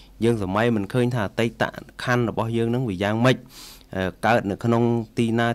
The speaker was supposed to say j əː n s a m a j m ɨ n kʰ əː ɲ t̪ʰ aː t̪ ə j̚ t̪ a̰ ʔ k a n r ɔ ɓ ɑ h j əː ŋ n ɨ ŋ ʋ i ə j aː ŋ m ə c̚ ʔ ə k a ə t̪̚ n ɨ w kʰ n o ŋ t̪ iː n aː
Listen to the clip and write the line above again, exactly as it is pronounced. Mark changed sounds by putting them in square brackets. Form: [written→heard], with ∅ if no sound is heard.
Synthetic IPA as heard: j əː [n→ŋ] s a m a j m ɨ n kʰ əː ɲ t̪ʰ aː t̪ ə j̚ t̪ a̰ ʔ [k→kʰ] a n r ɔ ɓ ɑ h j əː ŋ n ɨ ŋ ʋ i ə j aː ŋ m ə c̚ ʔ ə k a ə t̪̚ n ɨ w kʰ n o ŋ t̪ iː n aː

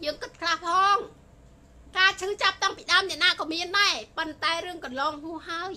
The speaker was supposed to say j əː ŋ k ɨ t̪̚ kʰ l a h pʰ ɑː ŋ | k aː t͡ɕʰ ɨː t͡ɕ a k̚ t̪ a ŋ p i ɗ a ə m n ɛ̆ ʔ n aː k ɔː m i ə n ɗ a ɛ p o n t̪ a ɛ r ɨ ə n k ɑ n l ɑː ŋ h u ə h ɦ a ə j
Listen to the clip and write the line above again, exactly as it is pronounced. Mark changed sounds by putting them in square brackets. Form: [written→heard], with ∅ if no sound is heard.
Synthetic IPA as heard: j əː ŋ k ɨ t̪̚ kʰ l a h pʰ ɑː ŋ | k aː t͡ɕʰ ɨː t͡ɕ a [k̚→p̚] t̪ a ŋ p i ɗ a ə m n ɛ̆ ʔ n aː k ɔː m i ə n ɗ a ɛ p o n t̪ a ɛ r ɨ ə [n→ŋ] k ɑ n l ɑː ŋ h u ə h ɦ a ə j

